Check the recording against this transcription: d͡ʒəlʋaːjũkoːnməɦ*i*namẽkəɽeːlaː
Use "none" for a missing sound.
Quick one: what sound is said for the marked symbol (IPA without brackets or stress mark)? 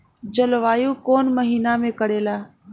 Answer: iː